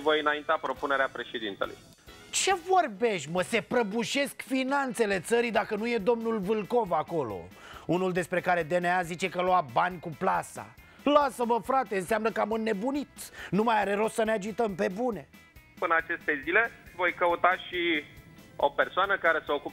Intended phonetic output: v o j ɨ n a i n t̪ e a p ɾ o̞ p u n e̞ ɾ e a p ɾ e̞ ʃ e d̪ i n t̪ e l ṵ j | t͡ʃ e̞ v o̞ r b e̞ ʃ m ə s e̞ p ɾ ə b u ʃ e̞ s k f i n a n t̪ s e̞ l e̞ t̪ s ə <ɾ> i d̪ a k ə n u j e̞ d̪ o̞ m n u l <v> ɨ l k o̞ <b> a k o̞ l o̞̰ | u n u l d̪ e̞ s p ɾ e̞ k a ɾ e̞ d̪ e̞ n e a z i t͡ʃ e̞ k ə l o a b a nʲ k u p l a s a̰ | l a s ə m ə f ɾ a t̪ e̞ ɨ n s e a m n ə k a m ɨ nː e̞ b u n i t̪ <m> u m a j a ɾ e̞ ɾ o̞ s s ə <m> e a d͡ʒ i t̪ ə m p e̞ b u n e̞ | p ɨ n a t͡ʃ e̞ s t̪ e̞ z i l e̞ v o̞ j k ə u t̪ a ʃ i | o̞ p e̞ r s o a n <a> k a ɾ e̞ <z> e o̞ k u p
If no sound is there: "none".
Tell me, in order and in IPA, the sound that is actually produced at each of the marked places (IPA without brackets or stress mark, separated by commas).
ɾ, v, v, n, n, ə, s